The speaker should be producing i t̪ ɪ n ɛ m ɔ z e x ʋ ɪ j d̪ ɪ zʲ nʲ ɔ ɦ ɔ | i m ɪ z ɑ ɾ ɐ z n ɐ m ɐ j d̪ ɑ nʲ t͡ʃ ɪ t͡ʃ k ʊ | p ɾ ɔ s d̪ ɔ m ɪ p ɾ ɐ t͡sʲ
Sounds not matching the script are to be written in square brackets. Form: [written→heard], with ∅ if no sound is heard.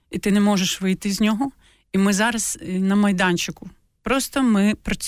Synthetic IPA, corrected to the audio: i t̪ ɪ n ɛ m ɔ [z→ʒ] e [x→ʃ] ʋ ɪ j [d̪→t̪] ɪ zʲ nʲ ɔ ɦ ɔ | i m ɪ z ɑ ɾ ɐ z n ɐ m ɐ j d̪ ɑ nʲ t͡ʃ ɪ [t͡ʃ→∅] k ʊ | p ɾ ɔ s [d̪→t̪] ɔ m ɪ p ɾ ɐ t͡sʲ